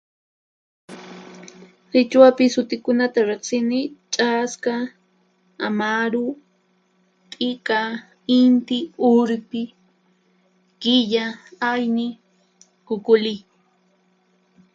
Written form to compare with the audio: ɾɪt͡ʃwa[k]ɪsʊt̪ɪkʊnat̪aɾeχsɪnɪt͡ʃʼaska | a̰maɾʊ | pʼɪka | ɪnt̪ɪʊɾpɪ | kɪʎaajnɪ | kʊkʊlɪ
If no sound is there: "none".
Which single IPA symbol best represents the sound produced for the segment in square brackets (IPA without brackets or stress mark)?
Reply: p